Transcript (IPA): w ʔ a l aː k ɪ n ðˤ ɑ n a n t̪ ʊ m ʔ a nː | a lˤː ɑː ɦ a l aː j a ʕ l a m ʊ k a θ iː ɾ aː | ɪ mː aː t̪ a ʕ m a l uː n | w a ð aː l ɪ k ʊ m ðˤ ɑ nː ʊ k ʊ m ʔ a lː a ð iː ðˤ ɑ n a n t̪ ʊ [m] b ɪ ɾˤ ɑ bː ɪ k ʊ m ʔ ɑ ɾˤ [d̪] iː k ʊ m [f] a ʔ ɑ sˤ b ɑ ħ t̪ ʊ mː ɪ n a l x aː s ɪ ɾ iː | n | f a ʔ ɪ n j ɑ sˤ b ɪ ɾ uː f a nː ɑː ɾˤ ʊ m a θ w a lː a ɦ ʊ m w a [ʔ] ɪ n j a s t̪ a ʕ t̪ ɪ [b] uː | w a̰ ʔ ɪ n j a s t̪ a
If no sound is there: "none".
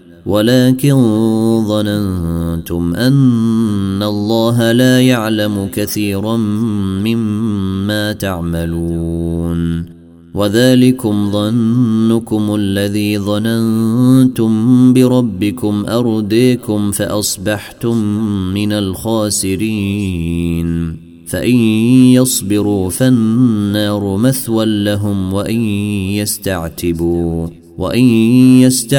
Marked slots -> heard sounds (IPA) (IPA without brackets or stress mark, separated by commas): m, d̪, f, ʔ, b